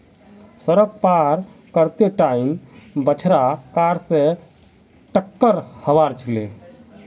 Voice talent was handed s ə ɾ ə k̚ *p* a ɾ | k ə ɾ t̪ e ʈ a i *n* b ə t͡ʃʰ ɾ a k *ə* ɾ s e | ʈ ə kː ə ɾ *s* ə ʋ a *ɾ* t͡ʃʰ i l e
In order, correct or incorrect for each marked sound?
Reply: correct, incorrect, incorrect, incorrect, correct

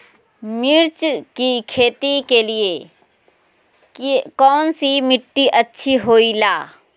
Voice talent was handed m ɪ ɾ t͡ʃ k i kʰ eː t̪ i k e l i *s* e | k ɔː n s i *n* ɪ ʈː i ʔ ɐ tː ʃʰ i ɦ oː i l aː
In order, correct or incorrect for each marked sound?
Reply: incorrect, incorrect

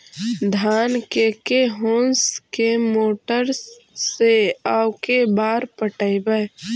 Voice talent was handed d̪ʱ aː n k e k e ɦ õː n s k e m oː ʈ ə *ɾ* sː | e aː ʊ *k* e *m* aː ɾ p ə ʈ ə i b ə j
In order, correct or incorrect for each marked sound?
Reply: correct, correct, incorrect

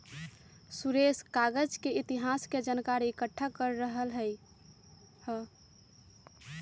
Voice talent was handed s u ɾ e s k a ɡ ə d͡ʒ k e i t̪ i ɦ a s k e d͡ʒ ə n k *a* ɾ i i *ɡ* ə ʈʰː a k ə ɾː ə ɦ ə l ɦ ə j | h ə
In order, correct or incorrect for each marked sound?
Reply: correct, incorrect

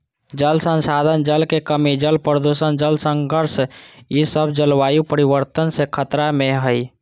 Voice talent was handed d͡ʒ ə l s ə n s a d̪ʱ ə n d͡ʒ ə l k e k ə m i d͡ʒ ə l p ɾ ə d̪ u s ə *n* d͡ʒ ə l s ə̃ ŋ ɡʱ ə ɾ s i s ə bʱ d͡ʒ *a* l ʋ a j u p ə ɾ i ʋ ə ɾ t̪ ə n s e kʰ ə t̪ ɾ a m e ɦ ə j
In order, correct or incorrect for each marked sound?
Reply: correct, incorrect

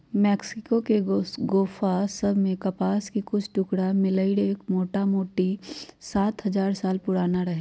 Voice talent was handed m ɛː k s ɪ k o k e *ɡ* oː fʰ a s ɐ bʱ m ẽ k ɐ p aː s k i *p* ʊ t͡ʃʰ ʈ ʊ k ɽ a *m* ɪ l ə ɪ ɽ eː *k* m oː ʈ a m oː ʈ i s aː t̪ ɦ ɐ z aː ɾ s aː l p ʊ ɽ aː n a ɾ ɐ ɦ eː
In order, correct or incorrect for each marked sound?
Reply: correct, incorrect, correct, correct

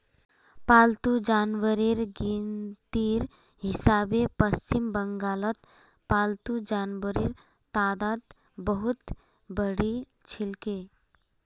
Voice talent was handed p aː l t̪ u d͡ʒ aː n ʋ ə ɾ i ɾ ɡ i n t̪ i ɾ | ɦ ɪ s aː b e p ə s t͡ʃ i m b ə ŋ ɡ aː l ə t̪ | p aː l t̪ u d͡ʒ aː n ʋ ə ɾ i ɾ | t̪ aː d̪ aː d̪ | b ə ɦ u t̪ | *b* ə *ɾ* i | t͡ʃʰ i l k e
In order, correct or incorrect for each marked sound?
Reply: correct, incorrect

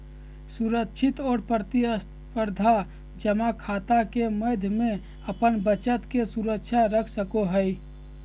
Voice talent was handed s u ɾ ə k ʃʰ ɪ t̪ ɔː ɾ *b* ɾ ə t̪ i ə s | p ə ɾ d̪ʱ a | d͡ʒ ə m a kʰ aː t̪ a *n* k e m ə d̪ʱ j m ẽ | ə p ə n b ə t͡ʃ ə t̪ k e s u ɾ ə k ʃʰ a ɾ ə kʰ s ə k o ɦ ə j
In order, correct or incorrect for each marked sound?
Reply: incorrect, incorrect

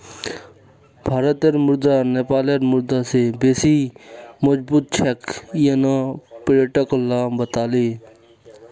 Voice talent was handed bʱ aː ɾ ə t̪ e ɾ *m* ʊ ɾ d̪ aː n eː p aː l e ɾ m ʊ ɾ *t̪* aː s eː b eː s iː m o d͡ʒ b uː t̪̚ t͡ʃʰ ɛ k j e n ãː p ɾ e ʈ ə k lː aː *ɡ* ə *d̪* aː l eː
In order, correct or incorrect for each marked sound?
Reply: correct, incorrect, incorrect, incorrect

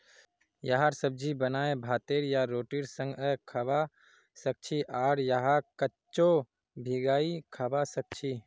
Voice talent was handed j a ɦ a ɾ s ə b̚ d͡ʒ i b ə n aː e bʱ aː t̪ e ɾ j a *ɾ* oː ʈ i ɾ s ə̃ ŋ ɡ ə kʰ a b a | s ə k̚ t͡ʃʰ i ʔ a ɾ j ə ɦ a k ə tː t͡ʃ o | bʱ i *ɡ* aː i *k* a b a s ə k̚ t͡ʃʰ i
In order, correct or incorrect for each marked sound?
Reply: correct, correct, incorrect

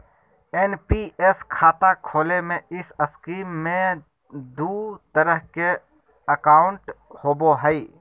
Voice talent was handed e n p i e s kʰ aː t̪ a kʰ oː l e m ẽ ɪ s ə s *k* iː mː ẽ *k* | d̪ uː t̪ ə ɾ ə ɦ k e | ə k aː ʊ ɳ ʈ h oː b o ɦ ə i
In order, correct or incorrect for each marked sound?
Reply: correct, incorrect

